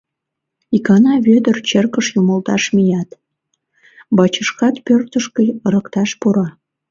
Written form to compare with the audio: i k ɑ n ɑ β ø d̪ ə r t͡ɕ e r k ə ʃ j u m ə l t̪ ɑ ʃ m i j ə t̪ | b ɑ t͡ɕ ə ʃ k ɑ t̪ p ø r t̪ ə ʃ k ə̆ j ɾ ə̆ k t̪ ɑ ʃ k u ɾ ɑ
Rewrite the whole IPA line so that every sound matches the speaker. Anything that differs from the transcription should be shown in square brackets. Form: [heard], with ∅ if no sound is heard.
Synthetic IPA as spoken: i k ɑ n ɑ β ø d̪ ə r t͡ɕ e r k ə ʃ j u m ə l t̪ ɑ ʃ m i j [ɑ] t̪ | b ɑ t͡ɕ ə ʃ k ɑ t̪ p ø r t̪ ə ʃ k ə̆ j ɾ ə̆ k t̪ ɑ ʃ [p] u ɾ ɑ